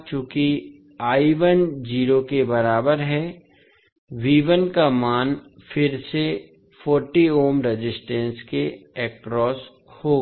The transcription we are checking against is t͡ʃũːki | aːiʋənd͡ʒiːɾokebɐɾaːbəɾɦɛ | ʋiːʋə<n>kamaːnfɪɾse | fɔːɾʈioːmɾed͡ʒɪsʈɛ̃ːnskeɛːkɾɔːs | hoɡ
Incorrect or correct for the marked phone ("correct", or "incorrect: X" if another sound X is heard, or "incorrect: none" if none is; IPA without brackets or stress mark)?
correct